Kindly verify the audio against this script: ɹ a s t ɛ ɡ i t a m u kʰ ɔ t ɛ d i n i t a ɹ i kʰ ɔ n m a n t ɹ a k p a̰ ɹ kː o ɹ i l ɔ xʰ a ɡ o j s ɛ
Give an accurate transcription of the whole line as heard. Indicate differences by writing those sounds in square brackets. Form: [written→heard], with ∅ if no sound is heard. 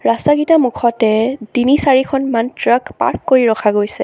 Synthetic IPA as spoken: ɹ a s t [ɛ→a] ɡ i t a m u kʰ ɔ t ɛ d i n i [t→s] a ɹ i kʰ ɔ n m a n t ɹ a k p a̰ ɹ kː o ɹ i [l→ɹ] ɔ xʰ a ɡ o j s ɛ